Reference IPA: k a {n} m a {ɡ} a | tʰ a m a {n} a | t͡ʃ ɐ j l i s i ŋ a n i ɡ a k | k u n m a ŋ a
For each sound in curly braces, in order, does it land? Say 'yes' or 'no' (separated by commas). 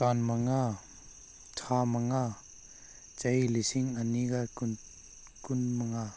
yes, no, no